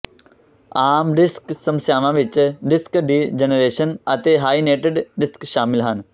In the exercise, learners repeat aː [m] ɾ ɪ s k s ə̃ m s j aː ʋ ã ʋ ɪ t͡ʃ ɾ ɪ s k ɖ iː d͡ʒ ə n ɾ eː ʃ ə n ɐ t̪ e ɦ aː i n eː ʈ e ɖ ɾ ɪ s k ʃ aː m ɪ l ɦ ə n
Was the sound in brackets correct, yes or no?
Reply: yes